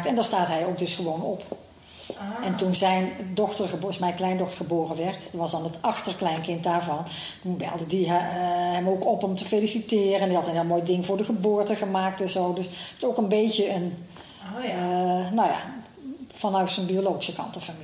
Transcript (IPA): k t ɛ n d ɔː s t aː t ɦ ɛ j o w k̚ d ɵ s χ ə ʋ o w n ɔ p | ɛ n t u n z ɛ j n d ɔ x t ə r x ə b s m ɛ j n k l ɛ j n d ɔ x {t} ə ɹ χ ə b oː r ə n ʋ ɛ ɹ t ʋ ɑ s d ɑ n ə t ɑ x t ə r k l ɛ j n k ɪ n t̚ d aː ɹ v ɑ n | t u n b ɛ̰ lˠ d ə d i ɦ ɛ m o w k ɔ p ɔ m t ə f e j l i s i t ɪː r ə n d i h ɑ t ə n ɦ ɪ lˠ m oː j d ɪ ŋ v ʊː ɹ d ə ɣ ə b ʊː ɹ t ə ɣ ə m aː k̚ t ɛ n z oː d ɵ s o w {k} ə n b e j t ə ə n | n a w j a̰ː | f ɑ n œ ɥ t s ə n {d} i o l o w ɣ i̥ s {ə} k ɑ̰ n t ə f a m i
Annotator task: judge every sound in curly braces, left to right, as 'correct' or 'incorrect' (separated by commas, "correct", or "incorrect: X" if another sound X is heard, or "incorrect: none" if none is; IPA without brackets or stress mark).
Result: correct, correct, incorrect: b, correct